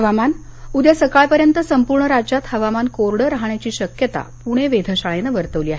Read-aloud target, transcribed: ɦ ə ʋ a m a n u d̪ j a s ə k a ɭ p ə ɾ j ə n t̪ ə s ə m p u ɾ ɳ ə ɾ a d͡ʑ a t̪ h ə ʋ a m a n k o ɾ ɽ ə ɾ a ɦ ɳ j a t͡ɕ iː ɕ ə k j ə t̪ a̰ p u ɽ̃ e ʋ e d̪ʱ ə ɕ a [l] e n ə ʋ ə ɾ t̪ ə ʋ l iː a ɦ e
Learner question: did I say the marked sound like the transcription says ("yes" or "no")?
no